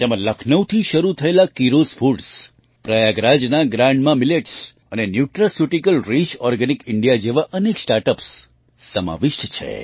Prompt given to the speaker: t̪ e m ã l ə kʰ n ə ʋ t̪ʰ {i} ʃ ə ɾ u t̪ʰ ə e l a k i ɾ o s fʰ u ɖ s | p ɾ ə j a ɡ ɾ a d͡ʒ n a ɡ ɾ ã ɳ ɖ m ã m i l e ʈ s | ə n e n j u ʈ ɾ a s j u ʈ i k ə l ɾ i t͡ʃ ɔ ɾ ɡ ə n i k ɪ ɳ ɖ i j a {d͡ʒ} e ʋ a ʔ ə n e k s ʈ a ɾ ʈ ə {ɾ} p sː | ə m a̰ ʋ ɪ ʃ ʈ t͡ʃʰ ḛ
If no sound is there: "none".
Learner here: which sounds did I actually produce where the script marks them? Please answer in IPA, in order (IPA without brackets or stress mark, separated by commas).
i, d͡ʒ, none